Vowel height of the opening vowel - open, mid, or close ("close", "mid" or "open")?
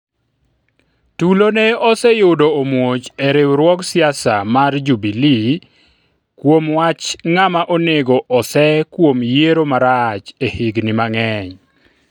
close